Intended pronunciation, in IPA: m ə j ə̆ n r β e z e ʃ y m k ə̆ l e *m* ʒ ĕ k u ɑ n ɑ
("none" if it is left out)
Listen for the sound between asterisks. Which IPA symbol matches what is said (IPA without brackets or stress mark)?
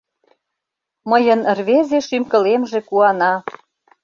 m